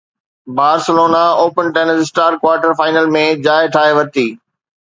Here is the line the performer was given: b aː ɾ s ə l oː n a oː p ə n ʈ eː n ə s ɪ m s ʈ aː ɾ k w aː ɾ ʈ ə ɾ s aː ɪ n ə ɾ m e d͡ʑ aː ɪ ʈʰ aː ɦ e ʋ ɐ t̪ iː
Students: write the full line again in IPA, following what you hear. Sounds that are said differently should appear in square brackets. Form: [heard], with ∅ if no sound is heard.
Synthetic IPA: b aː ɾ s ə l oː n a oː p ə n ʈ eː n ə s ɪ [∅] s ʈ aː ɾ k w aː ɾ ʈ ə ɾ [f] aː ɪ n ə [l] m [ẽ] d͡ʑ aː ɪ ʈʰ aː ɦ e ʋ ɐ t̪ iː